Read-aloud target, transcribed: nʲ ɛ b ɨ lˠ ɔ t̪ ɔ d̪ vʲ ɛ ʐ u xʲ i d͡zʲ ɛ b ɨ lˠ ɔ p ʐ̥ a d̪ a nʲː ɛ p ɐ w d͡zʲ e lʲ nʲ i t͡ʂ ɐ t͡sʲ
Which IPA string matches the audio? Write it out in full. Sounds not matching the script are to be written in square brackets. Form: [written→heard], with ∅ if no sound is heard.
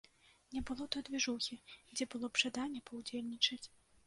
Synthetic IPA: nʲ ɛ b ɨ lˠ ɔ t̪ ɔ d̪ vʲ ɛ ʐ u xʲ i d͡zʲ ɛ b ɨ lˠ ɔ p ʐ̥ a d̪ a nʲː ɛ p ɐ w d͡zʲ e lʲ nʲ i t͡ʂ ɐ t͡sʲ